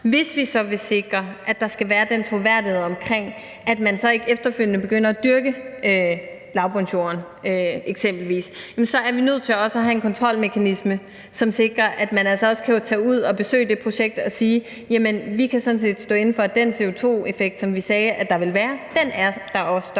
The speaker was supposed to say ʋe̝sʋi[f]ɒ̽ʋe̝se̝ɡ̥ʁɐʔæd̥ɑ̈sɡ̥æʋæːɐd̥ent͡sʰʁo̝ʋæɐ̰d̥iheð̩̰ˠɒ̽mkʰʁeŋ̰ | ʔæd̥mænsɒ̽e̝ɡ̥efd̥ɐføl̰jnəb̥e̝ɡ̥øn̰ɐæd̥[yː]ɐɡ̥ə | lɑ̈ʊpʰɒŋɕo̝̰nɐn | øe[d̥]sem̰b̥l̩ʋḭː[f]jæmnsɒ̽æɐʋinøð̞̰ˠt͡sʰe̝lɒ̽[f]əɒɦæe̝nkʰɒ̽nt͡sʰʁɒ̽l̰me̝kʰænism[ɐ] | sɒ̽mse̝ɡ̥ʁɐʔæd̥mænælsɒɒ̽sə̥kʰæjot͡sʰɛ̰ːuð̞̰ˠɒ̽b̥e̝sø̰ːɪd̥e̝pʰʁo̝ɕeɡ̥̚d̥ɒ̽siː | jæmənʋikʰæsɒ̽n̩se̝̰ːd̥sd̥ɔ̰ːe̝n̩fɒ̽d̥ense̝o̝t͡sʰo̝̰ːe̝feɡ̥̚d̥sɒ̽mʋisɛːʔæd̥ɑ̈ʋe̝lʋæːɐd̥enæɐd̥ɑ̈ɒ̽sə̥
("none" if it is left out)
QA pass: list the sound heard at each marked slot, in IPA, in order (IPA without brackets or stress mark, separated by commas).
s, y, ɡ̥, s, s, ə